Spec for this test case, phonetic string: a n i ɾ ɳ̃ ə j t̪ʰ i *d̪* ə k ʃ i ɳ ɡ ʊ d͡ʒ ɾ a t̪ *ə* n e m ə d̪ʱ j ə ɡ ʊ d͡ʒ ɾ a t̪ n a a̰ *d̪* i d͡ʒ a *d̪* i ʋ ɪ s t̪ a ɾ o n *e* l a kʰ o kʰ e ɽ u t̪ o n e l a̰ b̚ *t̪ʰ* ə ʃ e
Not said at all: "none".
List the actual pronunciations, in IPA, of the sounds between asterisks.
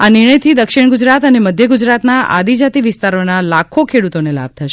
d̪, ə, d̪, t̪, a, t̪ʰ

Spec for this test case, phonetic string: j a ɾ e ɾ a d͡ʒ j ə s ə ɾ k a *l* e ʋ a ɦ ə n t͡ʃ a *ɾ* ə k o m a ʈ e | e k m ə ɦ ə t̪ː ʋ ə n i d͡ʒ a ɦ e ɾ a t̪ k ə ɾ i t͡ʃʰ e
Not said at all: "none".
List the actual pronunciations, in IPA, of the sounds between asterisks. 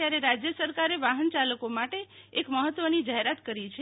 ɾ, l

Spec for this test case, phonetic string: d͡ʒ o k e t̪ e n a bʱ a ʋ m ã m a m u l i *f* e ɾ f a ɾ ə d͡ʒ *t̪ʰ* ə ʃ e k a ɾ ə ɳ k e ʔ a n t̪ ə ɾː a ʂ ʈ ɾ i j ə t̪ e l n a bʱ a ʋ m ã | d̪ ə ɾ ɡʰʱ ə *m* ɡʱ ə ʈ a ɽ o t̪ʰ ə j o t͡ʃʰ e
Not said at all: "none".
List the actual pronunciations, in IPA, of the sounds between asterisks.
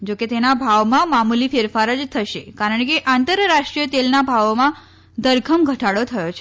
f, t̪ʰ, m

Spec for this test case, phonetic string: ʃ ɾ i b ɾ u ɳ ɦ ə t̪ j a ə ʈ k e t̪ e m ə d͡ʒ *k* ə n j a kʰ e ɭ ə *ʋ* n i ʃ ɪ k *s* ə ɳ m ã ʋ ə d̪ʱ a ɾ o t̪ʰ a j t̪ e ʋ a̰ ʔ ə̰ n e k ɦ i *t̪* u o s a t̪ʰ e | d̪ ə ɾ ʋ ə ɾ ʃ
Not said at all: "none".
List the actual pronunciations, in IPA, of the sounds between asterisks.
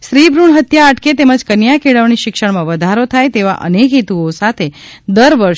k, ʋ, ʃ, t̪

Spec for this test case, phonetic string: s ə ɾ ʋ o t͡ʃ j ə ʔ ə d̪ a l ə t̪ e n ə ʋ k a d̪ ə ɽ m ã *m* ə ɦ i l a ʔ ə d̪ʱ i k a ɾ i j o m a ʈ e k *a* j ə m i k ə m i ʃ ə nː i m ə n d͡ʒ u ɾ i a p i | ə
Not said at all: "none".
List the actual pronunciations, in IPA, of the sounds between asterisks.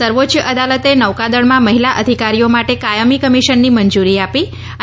m, a

